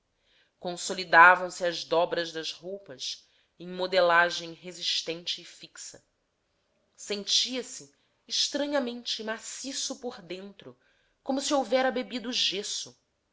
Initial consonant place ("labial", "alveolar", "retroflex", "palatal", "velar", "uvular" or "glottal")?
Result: velar